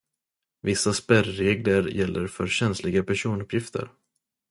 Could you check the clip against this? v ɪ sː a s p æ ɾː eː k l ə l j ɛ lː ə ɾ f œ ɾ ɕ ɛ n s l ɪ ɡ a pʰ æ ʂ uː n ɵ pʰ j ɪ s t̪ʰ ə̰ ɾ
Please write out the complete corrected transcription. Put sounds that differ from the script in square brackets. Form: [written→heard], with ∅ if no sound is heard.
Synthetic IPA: v ɪ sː a s p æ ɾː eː [k→ɡ] l ə [l→ɾ] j ɛ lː ə ɾ f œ ɾ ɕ ɛ n s l ɪ ɡ a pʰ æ ʂ uː n ɵ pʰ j ɪ [s→f] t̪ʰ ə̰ ɾ